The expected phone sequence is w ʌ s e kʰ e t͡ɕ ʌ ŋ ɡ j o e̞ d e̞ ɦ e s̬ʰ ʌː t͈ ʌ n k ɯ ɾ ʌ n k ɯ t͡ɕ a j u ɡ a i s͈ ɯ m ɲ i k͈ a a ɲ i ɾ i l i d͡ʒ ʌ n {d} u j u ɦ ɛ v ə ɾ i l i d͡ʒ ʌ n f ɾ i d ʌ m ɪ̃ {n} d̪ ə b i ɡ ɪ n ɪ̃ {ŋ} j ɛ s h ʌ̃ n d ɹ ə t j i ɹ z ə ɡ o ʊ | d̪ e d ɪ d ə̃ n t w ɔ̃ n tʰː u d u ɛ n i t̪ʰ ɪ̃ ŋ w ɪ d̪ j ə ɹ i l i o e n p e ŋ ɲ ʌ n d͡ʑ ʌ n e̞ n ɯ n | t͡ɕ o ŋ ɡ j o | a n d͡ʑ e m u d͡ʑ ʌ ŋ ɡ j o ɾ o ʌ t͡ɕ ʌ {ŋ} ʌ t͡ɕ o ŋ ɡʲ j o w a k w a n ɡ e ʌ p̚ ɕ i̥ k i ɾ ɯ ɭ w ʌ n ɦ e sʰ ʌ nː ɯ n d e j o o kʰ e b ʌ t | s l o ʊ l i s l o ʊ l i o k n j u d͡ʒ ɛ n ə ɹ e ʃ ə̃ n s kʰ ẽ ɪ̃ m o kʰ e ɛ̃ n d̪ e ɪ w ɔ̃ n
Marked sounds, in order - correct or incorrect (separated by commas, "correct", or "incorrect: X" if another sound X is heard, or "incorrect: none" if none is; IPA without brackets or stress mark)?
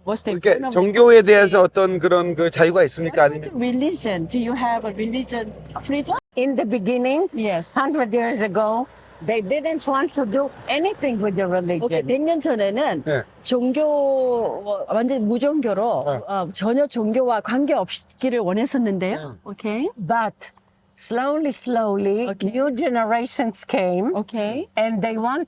correct, correct, correct, incorrect: ɲ